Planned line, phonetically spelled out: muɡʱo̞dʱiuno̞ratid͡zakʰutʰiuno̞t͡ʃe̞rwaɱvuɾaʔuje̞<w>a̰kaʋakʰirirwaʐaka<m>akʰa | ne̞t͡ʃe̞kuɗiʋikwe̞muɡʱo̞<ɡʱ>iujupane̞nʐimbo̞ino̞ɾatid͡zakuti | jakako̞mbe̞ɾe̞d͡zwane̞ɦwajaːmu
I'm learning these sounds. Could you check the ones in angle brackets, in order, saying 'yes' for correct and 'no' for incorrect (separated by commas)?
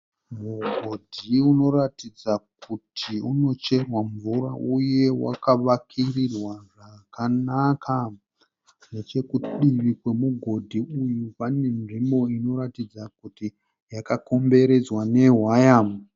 yes, no, no